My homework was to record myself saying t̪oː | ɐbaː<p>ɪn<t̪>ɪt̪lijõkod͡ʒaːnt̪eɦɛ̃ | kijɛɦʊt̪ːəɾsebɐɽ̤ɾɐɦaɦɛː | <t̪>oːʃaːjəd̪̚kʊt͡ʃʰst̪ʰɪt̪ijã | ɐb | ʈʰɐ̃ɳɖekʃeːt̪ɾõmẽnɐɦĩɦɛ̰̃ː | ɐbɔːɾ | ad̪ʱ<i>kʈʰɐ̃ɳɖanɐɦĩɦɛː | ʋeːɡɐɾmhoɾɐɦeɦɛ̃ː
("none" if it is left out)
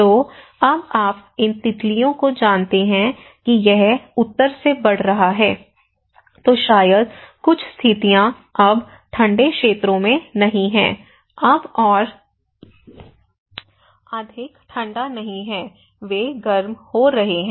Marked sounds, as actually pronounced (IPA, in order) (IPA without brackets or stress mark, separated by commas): p, t̪, t̪, ɪ